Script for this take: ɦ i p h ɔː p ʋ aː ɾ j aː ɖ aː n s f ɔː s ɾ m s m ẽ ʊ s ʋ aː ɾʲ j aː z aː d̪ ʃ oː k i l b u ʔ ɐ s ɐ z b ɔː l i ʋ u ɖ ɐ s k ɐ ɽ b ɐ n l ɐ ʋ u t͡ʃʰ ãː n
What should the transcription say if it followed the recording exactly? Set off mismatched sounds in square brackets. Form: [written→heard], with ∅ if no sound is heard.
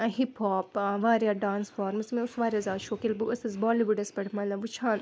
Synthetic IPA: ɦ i p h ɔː p ʋ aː ɾ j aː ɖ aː n s f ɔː [s→∅] ɾ m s m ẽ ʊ s ʋ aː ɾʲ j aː z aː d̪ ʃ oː k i l b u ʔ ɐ s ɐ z b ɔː l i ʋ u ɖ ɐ s [k→p] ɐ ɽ [b→m] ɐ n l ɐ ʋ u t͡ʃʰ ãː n